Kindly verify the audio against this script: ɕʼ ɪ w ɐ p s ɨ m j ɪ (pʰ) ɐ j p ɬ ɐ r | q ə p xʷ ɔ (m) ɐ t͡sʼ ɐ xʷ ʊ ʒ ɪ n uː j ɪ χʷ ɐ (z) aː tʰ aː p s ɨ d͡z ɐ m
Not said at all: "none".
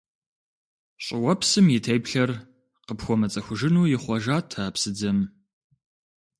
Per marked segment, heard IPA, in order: tʰ, m, ʒ

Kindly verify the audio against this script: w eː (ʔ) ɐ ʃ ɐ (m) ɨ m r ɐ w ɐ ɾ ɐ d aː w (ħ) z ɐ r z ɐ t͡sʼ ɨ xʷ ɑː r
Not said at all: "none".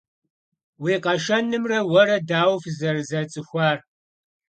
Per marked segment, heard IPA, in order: q, n, f

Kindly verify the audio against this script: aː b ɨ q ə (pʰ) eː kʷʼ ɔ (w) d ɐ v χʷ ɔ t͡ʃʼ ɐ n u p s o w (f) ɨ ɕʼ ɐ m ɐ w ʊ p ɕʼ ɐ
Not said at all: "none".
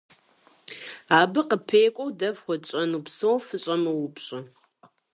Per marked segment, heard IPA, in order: pʰ, w, f

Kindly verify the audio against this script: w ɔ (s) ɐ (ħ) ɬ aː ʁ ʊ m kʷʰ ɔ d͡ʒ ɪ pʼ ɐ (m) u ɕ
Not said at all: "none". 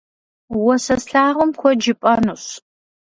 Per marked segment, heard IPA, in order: s, s, n

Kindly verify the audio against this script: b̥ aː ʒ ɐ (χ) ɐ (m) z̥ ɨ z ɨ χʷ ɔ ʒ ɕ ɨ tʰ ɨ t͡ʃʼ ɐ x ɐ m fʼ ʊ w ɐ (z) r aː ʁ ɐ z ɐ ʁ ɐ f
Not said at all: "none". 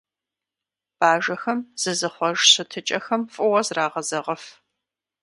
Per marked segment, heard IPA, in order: x, m, z

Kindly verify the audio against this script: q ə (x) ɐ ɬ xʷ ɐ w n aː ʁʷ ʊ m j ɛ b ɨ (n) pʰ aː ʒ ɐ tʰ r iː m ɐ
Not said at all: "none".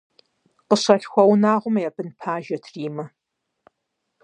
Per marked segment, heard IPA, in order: ɕ, n

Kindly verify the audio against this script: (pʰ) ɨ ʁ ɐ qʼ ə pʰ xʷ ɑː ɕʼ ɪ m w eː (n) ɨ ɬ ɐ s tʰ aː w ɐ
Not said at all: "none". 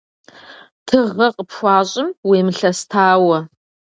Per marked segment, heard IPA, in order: tʰ, m

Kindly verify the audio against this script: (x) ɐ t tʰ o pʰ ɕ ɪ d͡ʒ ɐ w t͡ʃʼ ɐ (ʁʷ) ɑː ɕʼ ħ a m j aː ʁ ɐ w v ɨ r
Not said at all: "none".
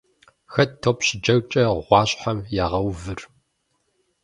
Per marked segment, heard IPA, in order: x, ʁʷ

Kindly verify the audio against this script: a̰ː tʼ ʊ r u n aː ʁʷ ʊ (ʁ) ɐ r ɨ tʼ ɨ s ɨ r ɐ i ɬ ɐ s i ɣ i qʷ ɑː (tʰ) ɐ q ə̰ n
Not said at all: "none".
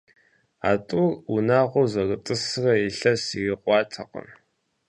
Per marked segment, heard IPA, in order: z, tʰ

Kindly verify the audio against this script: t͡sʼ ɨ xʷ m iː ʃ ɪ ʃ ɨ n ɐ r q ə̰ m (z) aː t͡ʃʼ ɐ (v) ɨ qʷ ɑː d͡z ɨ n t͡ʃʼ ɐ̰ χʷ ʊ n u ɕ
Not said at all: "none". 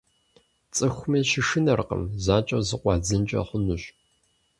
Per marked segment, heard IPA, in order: z, z

